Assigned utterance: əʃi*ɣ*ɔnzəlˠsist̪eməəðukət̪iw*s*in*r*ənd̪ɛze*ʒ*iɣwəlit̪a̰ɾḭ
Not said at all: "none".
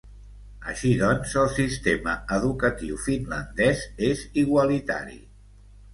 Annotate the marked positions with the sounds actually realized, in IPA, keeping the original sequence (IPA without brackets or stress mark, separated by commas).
ð, f, l, z